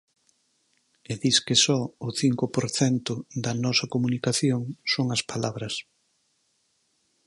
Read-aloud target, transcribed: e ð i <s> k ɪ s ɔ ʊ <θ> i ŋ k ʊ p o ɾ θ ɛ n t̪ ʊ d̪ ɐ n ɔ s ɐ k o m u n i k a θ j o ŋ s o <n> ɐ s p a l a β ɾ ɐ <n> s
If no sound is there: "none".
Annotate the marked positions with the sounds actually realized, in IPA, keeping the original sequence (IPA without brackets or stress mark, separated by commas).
s, θ, ŋ, none